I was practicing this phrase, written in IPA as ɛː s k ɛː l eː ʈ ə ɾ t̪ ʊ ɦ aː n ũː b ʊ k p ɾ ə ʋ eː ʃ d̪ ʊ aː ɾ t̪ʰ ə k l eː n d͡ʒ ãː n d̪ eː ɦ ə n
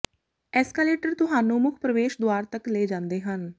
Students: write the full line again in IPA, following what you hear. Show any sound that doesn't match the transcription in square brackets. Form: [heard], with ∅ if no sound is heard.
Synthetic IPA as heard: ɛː s k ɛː l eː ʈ ə ɾ t̪ ʊ ɦ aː n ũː [m] ʊ [kʰ] p ɾ ə ʋ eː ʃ d̪ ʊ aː ɾ [t̪] ə k l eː [∅] d͡ʒ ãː n d̪ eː ɦ ə n